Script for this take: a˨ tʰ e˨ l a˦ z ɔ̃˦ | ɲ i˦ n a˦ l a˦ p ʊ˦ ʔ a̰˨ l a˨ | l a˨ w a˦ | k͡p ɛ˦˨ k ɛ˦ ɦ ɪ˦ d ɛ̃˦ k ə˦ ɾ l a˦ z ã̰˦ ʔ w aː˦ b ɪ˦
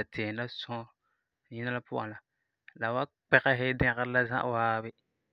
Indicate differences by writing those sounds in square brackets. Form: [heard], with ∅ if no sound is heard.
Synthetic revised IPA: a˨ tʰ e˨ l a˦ [s] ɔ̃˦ | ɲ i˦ n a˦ l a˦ p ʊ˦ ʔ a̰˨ l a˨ | l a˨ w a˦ | k͡p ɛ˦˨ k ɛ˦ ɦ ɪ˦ d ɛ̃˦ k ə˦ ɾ l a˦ z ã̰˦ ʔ w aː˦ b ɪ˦